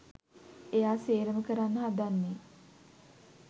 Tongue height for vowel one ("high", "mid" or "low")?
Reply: mid